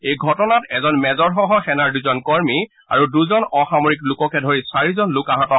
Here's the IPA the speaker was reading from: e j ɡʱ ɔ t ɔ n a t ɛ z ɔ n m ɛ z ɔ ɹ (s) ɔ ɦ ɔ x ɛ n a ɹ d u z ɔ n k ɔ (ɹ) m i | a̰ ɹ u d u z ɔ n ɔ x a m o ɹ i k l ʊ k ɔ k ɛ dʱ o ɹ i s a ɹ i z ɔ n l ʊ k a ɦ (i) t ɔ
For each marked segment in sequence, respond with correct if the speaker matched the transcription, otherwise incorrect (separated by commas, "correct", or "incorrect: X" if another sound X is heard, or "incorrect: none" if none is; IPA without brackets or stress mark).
incorrect: x, correct, incorrect: a